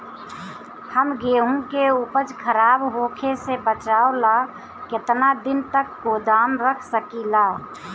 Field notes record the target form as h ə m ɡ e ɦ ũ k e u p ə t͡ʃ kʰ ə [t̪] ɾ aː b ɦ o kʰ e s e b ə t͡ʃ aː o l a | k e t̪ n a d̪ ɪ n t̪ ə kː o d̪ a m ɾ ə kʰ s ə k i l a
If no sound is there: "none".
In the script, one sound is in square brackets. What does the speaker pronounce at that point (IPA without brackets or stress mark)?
none